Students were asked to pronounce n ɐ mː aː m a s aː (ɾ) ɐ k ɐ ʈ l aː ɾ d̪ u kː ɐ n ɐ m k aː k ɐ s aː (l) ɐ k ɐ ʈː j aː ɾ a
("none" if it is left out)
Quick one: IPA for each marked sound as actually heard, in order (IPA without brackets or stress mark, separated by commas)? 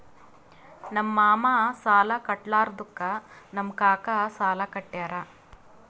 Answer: l, l